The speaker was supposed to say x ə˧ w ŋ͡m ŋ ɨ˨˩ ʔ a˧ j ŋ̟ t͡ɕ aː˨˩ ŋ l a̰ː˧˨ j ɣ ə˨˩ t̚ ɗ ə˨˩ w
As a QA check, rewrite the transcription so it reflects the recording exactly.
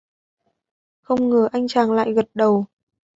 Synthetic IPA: x ə˧ w ŋ͡m ŋ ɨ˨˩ ʔ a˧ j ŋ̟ t͡ɕ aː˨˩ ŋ l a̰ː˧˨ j ɣ ə˨˩ t̚ ɗ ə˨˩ w